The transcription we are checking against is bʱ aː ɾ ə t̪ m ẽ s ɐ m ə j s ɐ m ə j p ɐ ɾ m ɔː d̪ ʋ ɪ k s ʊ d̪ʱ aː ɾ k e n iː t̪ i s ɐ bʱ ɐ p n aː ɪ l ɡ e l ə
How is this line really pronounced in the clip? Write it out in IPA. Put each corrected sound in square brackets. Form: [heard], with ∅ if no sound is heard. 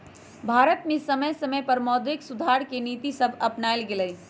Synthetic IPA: bʱ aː ɾ ə t̪ m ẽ s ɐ m ə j s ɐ m ə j p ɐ ɾ m ɔː d̪ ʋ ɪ k s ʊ d̪ʱ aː ɾ k e n iː t̪ i s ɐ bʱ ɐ p n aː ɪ l ɡ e l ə